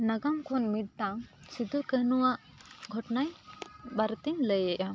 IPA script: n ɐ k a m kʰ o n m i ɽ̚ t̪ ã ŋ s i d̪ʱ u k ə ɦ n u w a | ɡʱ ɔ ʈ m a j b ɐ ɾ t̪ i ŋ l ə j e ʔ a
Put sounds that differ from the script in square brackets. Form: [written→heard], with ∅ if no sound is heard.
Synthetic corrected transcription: n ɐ [k→ɡ] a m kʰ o n m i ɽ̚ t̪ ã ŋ s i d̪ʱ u k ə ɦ n u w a | ɡʱ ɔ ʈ [m→n] a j b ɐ ɾ t̪ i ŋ l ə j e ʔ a